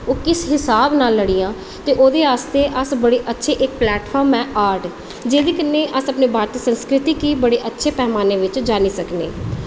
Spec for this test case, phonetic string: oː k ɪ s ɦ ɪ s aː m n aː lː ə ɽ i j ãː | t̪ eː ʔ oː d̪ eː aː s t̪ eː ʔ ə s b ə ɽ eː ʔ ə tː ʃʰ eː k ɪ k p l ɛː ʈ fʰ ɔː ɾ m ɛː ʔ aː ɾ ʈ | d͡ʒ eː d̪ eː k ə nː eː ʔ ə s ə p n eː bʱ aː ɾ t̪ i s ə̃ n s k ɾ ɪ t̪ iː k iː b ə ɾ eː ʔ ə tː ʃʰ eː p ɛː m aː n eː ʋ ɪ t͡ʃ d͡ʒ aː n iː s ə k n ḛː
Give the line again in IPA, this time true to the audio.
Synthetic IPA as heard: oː k ɪ s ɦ ɪ s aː b n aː lː ə ɽ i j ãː | t̪ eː ʔ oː d̪ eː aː s t̪ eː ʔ ə s b ə ɽ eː ʔ ə tː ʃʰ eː ʔ ɪ k p l ɛː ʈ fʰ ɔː ɾ m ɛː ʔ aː ɾ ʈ | d͡ʒ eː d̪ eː k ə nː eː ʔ ə s ə p n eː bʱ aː ɾ t̪ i s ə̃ n s k ɾ ɪ t̪ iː k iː b ə ɽ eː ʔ ə tː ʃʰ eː p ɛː m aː n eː ʋ ɪ t͡ʃ d͡ʒ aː n iː s ə k n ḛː